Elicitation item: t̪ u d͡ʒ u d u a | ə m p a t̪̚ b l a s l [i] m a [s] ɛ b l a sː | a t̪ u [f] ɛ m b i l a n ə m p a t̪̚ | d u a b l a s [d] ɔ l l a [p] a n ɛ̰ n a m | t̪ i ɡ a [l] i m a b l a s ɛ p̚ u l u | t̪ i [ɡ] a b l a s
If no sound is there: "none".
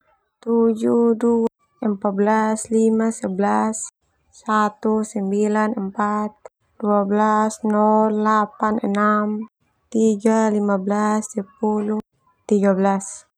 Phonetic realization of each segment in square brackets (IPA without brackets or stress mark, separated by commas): i, s, s, n, p, l, ɡ